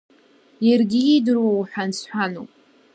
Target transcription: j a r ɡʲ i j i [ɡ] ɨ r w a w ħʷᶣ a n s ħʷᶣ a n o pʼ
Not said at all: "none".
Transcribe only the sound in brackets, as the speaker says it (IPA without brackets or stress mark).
d